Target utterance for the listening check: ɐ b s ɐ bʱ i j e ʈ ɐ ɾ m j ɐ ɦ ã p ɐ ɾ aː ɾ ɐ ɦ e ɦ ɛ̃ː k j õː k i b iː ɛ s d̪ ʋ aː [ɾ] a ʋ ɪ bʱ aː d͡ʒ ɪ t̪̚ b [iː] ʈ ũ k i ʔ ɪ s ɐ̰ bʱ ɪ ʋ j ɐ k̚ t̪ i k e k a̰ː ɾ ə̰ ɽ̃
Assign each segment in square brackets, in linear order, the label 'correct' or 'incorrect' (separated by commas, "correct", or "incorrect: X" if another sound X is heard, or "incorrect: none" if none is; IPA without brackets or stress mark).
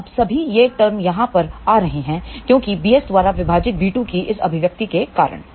correct, correct